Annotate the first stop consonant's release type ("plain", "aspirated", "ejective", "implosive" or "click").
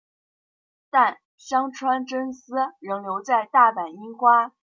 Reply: plain